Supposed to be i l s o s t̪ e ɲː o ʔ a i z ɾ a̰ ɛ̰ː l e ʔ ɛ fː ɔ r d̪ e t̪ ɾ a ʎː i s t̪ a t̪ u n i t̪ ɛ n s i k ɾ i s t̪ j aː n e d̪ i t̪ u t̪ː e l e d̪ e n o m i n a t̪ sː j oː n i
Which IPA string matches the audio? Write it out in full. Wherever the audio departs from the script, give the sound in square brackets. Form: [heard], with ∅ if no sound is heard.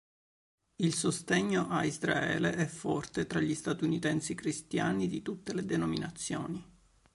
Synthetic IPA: i l s o s t̪ e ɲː o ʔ a i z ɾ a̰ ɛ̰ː l e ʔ ɛ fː ɔ r [t̪] e t̪ ɾ a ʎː i s t̪ a t̪ u n i t̪ ɛ n s i k ɾ i s t̪ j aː n [i] d̪ i t̪ u t̪ː e l e d̪ e n o m i n a t̪ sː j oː n i